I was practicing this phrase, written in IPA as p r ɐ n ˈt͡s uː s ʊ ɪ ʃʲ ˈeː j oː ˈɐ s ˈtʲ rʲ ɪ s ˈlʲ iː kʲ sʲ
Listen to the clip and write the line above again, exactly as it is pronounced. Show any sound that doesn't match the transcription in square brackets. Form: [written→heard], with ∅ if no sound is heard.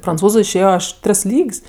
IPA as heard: p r ɐ n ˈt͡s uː [s→z] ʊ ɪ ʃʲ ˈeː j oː ˈɐ [s→ʃ] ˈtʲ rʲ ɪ s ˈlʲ iː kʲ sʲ